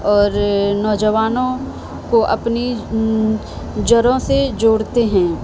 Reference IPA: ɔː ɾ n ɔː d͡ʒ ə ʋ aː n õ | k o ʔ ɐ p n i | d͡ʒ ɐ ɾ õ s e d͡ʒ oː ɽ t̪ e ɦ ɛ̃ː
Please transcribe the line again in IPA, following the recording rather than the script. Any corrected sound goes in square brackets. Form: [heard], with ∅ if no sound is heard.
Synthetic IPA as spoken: ɔː ɾ n ɔː d͡ʒ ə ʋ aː n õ | k o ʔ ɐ p n i | d͡ʒ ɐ ɾ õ s e d͡ʒ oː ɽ t̪ e ɦ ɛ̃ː